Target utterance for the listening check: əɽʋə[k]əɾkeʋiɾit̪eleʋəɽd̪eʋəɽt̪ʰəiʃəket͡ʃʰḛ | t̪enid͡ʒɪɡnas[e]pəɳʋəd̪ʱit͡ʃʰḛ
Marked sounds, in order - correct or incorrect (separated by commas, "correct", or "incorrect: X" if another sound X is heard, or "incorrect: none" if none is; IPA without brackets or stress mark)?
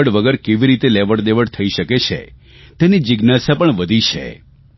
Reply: incorrect: ɡ, incorrect: a